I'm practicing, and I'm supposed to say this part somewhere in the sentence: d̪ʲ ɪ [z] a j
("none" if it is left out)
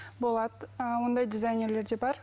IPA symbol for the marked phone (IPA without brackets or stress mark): z